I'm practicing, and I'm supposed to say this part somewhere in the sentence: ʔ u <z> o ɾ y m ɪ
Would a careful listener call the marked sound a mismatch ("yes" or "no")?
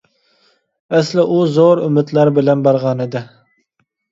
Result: no